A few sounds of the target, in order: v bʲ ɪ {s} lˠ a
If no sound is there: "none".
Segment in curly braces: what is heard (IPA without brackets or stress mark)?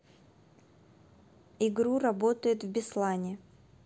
s